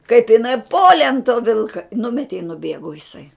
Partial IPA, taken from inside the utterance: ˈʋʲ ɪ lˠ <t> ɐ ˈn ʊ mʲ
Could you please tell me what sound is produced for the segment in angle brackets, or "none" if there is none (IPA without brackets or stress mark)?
k